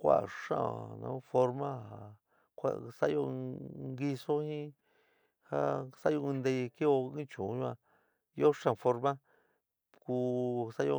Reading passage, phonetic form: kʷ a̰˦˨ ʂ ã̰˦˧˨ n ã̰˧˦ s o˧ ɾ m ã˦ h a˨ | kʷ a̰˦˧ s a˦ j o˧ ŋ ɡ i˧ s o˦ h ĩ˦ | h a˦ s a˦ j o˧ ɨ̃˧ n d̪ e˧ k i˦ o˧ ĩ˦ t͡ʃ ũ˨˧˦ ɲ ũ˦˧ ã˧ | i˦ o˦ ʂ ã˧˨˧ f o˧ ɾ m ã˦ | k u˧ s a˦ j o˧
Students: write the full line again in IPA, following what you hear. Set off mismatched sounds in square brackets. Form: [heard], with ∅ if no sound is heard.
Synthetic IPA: kʷ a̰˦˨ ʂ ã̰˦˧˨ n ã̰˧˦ [f] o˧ ɾ m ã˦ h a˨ | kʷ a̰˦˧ s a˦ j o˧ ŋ ɡ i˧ s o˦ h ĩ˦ | h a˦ s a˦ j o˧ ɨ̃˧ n d̪ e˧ k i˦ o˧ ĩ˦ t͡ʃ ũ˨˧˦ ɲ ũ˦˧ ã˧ | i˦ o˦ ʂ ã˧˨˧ f o˧ ɾ m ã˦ | k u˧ s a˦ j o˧